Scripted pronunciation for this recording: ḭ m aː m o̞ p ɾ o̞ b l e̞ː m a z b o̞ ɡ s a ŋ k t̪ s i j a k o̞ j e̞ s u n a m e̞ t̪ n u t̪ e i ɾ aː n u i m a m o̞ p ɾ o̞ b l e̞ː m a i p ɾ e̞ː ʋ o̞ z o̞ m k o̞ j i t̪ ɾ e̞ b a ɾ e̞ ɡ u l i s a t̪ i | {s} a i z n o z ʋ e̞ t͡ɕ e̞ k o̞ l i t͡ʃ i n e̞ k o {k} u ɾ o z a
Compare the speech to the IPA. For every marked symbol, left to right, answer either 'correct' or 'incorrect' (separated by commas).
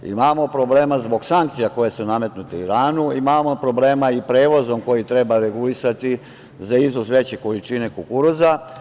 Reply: incorrect, correct